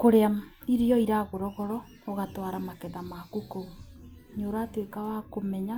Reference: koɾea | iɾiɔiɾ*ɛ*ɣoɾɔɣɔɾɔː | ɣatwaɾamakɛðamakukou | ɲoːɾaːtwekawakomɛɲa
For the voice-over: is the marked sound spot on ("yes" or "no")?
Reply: no